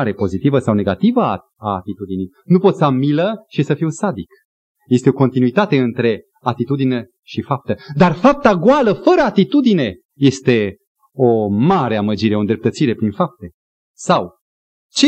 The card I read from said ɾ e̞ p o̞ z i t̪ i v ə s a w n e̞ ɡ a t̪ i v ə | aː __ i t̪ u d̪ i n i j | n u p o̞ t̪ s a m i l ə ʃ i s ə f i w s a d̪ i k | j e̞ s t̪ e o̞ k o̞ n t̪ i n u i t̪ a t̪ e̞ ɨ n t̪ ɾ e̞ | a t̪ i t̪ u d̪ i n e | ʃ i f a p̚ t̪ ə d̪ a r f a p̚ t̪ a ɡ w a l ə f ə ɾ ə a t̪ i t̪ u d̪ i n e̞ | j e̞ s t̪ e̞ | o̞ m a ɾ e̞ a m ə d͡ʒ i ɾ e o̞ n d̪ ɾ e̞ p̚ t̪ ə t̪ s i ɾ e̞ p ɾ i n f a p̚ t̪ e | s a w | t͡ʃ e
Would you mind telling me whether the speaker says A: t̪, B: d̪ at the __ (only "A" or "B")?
A